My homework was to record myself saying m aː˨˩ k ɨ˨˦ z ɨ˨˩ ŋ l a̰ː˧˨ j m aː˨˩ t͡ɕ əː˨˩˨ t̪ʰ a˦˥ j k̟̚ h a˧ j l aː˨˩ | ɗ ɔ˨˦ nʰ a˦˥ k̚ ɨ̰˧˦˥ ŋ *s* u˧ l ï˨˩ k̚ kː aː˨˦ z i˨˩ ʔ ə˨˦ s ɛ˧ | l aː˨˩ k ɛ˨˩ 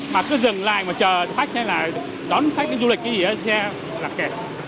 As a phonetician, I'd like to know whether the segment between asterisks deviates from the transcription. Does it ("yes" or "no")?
yes